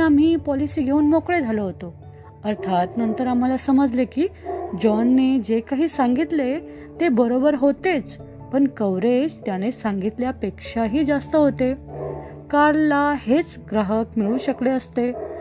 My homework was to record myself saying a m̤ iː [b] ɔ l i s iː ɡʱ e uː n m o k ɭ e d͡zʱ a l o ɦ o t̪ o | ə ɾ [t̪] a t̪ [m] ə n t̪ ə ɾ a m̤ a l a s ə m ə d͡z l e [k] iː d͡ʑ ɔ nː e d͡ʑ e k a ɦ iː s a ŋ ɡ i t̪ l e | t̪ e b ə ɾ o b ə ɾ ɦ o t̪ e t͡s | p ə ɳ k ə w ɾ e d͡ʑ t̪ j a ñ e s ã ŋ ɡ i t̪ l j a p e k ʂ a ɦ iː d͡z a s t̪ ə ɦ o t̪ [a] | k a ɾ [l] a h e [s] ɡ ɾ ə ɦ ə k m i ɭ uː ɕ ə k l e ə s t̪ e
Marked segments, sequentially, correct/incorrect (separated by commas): incorrect, incorrect, incorrect, correct, incorrect, correct, incorrect